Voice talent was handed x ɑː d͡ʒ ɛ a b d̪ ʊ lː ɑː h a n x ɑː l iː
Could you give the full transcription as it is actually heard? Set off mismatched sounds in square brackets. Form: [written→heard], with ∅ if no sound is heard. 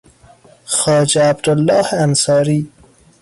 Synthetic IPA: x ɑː d͡ʒ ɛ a b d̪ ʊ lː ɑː h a n [x→s] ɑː [l→ɾ] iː